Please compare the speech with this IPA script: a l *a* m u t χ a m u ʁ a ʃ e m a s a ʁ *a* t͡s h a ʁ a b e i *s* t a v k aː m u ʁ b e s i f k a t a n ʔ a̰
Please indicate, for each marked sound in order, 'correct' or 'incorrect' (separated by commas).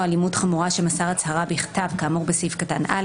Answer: incorrect, correct, incorrect